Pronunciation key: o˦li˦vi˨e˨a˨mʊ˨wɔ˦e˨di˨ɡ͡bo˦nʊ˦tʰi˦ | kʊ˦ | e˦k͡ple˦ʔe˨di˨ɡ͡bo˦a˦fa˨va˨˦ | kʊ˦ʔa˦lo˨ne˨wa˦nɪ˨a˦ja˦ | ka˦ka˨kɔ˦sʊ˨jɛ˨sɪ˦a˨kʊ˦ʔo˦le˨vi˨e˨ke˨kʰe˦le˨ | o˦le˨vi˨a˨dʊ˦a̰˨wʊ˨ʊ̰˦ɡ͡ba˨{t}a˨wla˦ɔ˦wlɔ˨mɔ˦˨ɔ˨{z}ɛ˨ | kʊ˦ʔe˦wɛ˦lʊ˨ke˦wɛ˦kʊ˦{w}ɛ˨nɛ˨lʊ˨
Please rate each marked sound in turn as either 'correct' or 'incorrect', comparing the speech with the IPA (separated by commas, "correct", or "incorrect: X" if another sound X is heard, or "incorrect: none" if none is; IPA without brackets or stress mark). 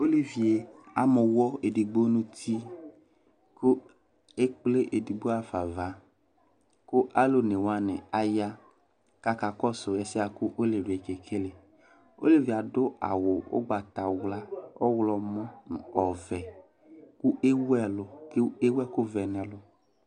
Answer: correct, incorrect: v, incorrect: v